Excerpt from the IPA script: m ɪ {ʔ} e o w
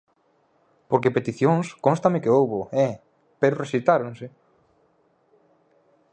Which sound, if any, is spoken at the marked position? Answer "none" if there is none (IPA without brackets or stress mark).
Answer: k